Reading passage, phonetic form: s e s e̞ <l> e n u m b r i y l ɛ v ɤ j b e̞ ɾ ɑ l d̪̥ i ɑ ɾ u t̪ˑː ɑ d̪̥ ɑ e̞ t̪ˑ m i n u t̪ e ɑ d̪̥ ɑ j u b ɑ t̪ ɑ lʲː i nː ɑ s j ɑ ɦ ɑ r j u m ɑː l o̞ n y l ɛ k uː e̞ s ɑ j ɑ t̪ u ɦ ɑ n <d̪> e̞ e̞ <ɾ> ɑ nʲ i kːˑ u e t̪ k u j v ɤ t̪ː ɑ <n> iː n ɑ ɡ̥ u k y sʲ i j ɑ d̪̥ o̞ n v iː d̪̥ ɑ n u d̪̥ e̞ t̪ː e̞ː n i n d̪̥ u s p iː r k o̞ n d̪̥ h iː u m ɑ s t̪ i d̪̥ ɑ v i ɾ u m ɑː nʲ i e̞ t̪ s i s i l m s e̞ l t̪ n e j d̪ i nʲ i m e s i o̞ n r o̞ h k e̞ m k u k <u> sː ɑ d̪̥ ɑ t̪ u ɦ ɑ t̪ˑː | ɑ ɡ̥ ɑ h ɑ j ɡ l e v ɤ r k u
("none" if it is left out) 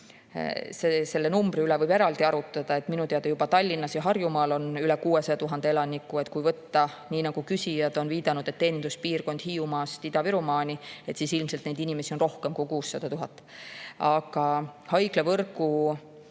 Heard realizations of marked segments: lː, d̪, l, n, uː

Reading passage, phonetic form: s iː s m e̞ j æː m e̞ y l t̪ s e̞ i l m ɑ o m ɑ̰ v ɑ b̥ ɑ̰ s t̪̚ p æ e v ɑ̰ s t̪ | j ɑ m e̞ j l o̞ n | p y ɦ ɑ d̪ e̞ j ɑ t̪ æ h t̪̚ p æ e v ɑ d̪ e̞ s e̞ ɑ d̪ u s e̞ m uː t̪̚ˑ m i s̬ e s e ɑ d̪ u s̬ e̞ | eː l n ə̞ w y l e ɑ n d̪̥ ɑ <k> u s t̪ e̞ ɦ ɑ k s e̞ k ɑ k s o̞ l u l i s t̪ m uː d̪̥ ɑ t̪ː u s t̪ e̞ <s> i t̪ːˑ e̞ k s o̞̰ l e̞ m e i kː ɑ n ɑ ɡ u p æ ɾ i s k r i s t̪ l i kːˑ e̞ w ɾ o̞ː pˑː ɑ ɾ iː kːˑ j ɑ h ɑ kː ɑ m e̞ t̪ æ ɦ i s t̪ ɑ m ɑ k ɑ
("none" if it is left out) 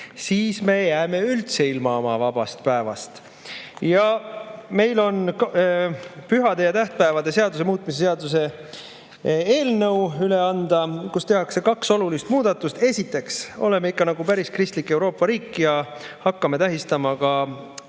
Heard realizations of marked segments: k, s

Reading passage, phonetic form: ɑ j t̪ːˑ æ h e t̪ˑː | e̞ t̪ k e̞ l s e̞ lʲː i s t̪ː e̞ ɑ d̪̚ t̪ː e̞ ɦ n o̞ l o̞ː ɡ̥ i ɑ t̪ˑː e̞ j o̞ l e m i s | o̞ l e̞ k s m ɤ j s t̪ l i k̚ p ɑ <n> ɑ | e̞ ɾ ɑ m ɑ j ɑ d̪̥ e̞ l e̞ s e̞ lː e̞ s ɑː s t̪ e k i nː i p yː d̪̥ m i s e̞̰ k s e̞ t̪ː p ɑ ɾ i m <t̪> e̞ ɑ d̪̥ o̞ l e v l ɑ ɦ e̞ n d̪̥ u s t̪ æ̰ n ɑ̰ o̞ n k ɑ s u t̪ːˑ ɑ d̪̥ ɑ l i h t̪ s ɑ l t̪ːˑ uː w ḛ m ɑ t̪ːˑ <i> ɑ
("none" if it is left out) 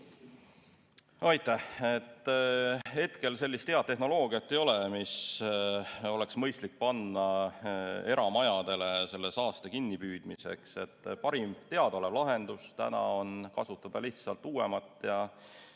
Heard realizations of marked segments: nː, t̪, j

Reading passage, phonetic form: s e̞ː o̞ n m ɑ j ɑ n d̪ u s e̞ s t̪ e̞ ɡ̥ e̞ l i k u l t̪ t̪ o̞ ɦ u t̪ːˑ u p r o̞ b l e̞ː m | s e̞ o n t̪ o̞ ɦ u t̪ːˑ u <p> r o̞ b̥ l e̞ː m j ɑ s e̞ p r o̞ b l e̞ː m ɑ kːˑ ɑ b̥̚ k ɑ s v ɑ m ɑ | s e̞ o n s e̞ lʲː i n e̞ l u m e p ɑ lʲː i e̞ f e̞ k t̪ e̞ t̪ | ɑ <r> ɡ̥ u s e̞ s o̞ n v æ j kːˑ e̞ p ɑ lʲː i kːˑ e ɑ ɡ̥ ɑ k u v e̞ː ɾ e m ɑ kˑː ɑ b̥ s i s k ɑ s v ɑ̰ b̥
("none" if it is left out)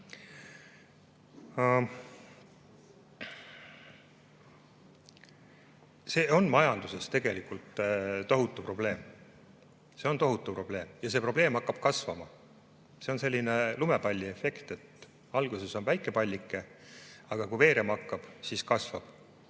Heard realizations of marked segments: p, l

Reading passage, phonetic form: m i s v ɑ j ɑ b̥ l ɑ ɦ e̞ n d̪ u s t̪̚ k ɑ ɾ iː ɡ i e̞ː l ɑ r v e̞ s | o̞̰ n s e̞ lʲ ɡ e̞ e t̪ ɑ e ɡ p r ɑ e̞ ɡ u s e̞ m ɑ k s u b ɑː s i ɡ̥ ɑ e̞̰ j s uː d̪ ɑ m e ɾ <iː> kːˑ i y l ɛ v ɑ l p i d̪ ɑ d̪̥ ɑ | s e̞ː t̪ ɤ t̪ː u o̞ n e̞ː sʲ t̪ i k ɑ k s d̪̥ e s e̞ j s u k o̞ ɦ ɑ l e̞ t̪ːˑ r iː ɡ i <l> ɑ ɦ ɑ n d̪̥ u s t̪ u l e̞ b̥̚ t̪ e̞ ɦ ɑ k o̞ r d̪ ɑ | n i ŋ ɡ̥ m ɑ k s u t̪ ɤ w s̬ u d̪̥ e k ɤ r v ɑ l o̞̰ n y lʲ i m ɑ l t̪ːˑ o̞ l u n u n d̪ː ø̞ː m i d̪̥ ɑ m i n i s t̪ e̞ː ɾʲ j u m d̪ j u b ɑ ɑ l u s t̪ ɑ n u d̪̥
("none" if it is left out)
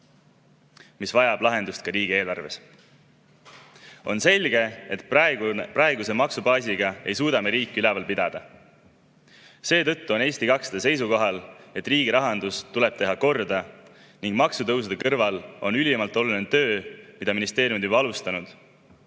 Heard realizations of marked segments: iː, ɾ

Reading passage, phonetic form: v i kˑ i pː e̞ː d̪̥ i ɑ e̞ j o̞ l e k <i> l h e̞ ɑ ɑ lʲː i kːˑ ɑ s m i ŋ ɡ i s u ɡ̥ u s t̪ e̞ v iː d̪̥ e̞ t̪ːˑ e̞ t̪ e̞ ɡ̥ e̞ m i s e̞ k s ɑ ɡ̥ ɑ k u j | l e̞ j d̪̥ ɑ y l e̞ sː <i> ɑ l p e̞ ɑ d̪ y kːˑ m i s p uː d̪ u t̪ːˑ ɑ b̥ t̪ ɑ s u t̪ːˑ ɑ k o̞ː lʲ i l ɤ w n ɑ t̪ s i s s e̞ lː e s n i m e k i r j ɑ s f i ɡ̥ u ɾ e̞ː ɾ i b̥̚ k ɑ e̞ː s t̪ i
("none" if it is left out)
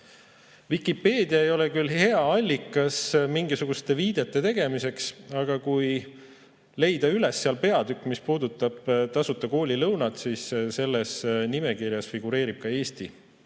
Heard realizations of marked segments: y, e

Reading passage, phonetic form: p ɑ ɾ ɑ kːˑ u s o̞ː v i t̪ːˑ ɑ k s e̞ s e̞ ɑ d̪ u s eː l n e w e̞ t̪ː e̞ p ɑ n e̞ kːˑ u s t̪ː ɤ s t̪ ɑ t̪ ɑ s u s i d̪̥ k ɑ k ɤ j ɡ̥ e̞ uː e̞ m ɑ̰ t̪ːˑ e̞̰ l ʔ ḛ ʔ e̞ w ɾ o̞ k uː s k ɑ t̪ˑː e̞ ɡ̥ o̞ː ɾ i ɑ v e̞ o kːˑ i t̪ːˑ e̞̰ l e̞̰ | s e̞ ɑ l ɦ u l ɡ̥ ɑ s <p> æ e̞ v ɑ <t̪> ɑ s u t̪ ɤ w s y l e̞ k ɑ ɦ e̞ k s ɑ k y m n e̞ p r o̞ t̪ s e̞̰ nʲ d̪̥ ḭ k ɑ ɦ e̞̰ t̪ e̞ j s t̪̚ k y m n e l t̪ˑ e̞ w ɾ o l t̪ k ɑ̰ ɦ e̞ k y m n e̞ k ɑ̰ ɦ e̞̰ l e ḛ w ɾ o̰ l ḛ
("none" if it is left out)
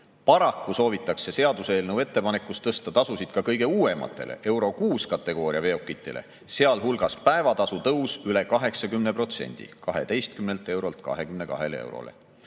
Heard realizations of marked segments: p, t̪

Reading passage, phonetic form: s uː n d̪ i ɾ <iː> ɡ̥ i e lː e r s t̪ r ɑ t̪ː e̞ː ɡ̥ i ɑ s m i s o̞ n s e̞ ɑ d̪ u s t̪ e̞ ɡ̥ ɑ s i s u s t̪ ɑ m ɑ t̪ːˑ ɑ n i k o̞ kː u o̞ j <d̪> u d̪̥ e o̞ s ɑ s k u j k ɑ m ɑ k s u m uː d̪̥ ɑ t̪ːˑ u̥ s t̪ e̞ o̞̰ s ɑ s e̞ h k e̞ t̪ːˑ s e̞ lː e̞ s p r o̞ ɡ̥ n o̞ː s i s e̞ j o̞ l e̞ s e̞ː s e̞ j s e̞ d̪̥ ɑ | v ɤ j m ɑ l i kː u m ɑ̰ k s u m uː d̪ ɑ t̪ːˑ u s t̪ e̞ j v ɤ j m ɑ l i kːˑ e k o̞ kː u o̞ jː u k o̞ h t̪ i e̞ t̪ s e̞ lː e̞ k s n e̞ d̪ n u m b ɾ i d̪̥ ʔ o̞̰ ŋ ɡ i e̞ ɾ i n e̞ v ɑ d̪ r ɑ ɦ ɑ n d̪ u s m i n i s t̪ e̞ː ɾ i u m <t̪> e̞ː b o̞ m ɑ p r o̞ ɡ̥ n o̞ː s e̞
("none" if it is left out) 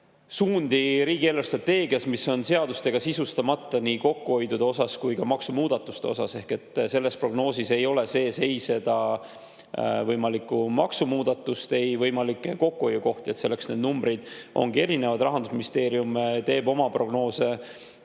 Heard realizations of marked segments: iː, d̪, t̪

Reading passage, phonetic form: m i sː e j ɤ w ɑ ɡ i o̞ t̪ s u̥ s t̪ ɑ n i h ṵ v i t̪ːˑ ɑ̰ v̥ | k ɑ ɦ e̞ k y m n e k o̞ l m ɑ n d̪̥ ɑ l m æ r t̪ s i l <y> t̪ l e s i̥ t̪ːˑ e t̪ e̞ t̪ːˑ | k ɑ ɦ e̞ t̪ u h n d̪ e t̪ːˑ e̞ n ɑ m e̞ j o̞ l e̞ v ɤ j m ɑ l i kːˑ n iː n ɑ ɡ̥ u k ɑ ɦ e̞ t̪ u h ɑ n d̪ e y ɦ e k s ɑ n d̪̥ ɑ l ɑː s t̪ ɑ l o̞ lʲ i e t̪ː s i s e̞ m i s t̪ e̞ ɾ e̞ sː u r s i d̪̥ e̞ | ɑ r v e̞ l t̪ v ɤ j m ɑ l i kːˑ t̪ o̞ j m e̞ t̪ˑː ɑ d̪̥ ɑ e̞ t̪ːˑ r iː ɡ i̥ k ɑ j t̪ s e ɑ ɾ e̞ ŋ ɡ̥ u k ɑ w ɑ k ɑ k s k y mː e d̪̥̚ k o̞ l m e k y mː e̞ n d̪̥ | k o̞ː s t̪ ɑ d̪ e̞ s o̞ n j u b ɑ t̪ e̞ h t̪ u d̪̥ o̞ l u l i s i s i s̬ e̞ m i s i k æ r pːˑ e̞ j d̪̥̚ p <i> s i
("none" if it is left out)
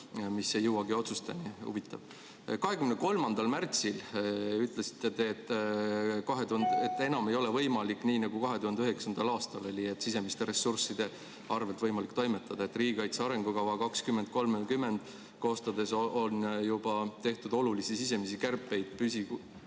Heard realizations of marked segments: y, y

